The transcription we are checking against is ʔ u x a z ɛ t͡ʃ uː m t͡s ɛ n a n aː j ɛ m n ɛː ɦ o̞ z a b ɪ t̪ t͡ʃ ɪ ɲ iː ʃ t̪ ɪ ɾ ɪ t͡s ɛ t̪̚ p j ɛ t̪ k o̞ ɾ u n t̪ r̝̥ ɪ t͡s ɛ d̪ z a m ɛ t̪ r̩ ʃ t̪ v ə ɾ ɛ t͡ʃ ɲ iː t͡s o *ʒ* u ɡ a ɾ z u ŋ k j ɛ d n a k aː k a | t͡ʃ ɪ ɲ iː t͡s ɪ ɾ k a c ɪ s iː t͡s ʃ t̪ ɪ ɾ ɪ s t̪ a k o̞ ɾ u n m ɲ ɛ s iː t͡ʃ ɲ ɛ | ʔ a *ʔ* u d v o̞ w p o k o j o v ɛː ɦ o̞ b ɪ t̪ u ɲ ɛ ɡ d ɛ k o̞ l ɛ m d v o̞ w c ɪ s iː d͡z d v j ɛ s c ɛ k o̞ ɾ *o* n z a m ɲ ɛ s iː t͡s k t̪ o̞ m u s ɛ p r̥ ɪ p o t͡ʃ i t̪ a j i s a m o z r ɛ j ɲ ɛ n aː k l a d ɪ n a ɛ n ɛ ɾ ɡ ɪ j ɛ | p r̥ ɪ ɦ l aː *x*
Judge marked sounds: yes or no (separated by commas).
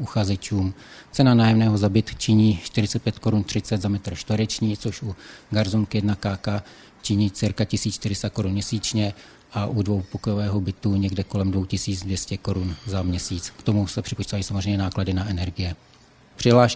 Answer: no, yes, no, no